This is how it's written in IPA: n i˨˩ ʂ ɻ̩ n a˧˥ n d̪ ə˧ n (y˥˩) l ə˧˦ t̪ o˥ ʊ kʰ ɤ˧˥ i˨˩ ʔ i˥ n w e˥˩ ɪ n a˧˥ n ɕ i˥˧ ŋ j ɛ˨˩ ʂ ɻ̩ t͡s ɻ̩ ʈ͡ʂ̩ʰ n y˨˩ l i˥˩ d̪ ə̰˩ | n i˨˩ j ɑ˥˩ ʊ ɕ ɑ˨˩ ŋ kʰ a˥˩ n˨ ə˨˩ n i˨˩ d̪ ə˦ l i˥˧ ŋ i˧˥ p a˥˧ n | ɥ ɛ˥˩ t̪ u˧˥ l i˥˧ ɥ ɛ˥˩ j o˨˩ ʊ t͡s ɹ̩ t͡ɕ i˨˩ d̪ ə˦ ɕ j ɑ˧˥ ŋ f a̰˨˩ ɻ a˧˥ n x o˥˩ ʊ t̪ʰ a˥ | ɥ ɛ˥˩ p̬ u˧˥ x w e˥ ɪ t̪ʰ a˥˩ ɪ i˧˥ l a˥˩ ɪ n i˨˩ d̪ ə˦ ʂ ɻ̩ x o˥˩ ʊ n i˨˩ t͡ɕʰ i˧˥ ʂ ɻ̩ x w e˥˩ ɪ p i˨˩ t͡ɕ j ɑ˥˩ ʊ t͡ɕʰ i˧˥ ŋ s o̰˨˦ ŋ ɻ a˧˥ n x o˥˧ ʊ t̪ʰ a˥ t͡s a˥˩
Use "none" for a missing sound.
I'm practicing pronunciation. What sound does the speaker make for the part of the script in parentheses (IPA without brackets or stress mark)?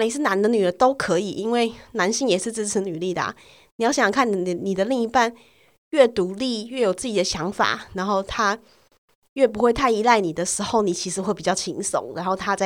y˨˩